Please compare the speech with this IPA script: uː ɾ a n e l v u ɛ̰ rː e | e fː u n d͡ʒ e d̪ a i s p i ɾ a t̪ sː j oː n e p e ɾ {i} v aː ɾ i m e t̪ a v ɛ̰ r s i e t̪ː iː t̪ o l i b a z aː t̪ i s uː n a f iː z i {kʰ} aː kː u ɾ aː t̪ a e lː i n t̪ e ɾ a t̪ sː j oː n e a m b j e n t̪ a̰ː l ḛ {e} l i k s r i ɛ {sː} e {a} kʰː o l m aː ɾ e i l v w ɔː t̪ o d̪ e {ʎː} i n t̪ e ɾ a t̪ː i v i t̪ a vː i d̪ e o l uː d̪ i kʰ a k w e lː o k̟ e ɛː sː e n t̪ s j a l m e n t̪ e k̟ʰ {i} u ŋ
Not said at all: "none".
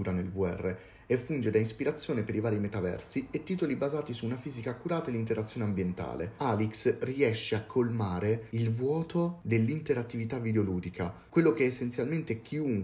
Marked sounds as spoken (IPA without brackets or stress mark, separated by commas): i, k, a, ʃː, a, lː, i